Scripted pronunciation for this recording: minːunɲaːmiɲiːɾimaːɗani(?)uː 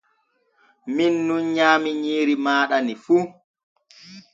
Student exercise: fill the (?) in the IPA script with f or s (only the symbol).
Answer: f